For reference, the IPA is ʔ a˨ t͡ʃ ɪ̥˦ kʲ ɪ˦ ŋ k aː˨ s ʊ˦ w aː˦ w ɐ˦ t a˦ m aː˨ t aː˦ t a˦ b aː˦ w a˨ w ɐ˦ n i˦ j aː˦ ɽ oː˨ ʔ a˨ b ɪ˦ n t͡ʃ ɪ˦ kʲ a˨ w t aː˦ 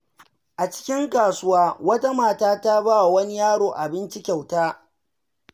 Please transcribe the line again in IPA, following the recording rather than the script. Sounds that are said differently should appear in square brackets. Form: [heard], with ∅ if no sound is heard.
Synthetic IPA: ʔ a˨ t͡ʃ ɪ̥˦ kʲ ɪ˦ ŋ k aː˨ s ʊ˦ w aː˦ w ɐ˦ t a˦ m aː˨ t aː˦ t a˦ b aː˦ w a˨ w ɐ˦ n i˦ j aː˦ ɽ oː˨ ʔ a˨ b ɪ˦ n t͡ʃ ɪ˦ kʲ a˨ w t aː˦